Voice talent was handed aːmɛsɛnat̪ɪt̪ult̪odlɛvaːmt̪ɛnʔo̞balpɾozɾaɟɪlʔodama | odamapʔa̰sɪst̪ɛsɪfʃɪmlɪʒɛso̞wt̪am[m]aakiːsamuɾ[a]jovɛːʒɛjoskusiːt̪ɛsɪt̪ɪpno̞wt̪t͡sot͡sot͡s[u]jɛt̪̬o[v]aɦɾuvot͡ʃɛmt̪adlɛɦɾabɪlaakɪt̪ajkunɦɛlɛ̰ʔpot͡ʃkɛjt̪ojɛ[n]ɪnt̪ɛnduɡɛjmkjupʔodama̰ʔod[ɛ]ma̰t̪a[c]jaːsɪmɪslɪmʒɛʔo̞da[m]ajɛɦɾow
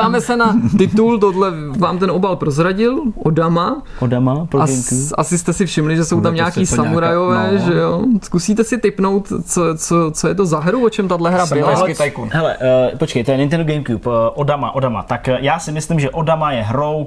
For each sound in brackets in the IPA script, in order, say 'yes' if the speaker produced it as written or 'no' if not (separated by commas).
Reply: no, yes, no, no, yes, no, no, yes